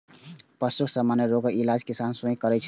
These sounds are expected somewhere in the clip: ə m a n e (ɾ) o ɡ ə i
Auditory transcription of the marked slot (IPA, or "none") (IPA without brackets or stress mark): ɾ